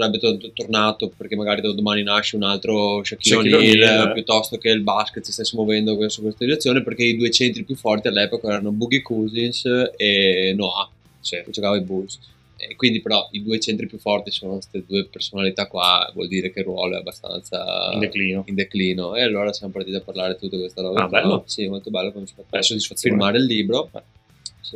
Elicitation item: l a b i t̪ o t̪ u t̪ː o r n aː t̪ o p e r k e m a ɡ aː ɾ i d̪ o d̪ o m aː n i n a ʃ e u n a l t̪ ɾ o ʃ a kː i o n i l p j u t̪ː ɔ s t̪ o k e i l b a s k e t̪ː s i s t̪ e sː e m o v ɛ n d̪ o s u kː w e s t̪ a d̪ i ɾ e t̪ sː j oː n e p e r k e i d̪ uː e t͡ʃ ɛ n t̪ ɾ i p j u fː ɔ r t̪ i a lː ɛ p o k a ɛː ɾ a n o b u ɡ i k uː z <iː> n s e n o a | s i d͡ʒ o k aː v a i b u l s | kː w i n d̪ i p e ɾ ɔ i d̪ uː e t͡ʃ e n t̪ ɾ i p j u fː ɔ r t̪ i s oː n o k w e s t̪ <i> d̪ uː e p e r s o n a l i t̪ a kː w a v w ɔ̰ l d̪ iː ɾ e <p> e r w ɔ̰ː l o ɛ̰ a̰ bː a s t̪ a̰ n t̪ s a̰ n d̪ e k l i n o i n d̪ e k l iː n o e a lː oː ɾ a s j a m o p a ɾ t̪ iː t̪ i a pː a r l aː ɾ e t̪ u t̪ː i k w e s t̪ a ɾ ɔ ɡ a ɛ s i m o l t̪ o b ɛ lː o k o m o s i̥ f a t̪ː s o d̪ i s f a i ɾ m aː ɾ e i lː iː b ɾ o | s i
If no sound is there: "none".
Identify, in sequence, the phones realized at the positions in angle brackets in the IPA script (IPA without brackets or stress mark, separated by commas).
i, e, k